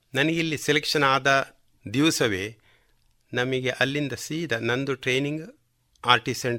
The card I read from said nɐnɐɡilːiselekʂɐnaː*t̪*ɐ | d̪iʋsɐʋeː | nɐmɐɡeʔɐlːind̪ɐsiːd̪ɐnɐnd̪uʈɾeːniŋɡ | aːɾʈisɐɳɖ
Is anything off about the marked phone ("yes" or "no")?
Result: yes